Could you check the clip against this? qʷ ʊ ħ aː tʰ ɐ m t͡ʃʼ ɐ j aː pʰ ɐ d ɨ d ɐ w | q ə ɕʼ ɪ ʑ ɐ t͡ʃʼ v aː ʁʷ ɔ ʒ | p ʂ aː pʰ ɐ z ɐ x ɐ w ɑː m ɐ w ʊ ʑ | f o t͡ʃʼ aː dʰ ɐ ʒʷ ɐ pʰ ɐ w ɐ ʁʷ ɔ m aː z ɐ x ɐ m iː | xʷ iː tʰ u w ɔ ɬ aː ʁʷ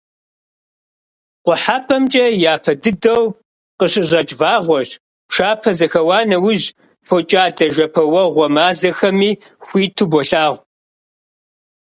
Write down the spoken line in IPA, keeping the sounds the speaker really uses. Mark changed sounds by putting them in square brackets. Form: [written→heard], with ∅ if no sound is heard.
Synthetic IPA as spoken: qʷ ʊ ħ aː [tʰ→pʰ] ɐ m t͡ʃʼ ɐ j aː pʰ ɐ d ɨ d ɐ w | q ə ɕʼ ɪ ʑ ɐ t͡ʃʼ v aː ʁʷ ɔ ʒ | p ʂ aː pʰ ɐ z ɐ x ɐ w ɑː [m→n] ɐ w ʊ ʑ | f o t͡ʃʼ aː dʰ ɐ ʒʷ ɐ pʰ ɐ w ɐ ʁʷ ɔ m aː z ɐ x ɐ m iː | xʷ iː tʰ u [w→b] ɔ ɬ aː ʁʷ